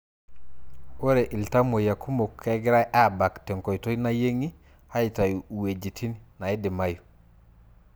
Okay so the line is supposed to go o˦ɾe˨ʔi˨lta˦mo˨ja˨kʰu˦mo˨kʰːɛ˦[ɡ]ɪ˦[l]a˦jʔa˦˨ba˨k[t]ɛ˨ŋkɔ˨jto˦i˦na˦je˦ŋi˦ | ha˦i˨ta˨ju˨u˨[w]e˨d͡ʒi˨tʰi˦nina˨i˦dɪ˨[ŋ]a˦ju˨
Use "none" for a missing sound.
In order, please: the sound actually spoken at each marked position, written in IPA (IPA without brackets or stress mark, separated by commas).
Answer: ɡ, ɾ, t, w, m